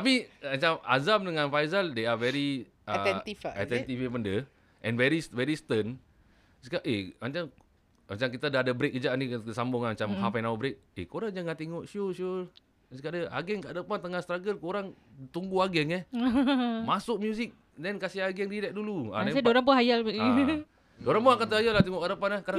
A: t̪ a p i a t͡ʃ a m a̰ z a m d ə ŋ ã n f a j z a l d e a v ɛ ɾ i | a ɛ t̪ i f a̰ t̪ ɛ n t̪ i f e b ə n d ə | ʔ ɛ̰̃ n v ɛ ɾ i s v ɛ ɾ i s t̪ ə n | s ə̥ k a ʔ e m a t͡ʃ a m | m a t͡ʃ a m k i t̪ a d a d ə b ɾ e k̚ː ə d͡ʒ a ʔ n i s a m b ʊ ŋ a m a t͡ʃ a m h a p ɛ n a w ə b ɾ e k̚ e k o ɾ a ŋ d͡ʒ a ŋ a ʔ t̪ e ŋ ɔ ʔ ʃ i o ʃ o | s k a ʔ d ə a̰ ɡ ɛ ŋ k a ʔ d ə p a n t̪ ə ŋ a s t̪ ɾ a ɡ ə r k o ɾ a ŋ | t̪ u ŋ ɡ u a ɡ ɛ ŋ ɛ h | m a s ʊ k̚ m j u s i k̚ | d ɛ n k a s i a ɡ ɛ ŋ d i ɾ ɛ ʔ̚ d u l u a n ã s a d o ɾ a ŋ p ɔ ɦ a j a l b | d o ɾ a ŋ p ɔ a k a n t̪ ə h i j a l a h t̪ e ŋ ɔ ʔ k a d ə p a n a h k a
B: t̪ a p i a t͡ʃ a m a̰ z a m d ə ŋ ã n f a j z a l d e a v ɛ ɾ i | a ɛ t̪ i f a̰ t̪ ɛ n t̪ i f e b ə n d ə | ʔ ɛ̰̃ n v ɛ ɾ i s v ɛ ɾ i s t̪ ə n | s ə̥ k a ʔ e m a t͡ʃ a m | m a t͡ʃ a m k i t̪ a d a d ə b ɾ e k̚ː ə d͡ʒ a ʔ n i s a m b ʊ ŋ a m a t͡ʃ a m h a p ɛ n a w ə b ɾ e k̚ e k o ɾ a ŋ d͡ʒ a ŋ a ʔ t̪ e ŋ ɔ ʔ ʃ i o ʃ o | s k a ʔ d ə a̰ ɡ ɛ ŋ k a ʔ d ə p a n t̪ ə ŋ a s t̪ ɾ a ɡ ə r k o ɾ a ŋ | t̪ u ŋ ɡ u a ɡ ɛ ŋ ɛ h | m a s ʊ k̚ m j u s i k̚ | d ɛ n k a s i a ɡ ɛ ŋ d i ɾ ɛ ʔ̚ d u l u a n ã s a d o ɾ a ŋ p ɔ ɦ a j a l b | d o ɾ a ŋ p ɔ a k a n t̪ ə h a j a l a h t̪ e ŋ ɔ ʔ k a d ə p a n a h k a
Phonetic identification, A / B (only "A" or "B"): B